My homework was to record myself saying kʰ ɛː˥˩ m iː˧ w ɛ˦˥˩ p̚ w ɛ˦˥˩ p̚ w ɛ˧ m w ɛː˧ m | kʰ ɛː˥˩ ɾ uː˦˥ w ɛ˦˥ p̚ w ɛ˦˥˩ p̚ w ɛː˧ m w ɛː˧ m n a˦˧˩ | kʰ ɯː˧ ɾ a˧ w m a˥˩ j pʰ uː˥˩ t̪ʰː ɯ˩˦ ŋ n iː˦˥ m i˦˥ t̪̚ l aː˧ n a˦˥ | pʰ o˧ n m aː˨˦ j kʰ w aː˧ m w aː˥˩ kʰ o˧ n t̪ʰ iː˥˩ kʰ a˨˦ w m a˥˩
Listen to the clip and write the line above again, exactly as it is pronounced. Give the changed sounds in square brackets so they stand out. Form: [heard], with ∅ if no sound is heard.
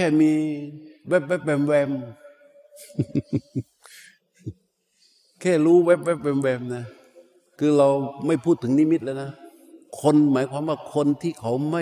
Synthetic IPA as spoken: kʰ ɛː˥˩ m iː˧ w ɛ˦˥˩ p̚ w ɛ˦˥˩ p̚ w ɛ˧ m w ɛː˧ m | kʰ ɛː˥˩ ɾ uː˦˥ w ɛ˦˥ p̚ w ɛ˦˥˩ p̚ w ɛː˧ m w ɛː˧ m n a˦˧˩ | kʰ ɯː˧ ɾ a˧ w m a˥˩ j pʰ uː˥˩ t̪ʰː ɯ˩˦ ŋ n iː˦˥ m i˦˥ t̪̚ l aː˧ n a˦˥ | [kʰ] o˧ n m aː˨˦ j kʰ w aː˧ m w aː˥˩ kʰ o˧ n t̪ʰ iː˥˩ kʰ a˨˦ w m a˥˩